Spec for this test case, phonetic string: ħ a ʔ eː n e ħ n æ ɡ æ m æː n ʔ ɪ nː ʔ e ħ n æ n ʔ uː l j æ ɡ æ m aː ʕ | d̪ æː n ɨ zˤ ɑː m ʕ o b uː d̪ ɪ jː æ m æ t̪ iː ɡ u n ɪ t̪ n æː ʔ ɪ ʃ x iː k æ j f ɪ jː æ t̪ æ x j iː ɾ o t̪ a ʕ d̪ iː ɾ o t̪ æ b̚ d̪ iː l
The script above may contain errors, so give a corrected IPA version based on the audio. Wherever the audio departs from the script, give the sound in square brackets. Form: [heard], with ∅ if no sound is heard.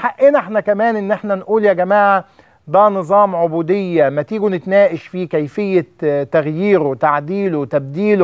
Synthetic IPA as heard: ħ a ʔ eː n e ħ n æ [k] æ m æː n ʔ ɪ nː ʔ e ħ n æ n ʔ uː l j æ ɡ æ m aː ʕ | d̪ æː n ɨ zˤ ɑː m ʕ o b uː d̪ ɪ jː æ m æ t̪ iː ɡ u n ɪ t̪ n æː ʔ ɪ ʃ [f] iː k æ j f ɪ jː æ t̪ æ [ɣ] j iː ɾ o t̪ a ʕ d̪ iː [l] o t̪ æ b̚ d̪ iː l